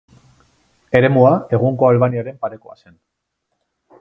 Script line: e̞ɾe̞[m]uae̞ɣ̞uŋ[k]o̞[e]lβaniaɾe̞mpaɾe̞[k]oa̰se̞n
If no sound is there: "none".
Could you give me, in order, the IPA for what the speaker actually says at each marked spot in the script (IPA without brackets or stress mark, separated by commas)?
m, k, a, k